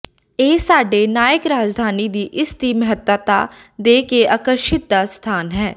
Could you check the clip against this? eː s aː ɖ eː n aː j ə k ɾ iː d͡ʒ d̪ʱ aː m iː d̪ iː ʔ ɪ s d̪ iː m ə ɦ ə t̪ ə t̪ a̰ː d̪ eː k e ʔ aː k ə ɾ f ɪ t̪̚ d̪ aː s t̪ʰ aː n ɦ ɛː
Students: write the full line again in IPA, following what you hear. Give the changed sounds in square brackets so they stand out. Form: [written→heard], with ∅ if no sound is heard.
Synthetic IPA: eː s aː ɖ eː n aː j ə k ɾ [iː→aː] d͡ʒ d̪ʱ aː [m→n] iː d̪ iː ʔ ɪ s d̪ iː m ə ɦ ə t̪ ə t̪ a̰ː d̪ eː k e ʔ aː k ə ɾ [f→ʃ] ɪ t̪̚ d̪ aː s t̪ʰ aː n ɦ ɛː